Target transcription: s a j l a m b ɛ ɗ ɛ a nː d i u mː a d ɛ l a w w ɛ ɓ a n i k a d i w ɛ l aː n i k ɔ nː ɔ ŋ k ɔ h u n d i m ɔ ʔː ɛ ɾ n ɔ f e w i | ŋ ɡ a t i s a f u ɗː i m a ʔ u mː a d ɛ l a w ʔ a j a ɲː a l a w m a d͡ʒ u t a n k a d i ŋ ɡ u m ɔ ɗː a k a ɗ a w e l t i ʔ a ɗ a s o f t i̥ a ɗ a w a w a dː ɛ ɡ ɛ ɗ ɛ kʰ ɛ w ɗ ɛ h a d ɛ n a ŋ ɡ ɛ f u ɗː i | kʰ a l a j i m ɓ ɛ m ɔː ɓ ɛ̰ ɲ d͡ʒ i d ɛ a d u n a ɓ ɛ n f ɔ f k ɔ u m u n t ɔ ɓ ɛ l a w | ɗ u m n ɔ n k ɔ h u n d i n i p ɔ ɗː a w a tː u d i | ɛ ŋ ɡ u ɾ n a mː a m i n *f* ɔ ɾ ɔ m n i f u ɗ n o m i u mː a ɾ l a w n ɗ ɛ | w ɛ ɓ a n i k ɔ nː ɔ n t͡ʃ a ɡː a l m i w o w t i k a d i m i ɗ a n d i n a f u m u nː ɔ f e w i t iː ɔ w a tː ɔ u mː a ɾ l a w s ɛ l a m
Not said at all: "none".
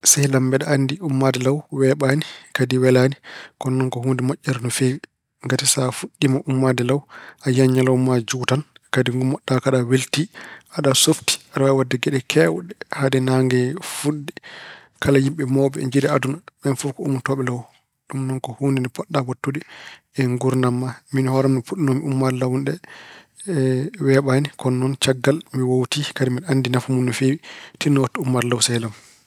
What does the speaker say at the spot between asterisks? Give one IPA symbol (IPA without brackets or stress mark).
h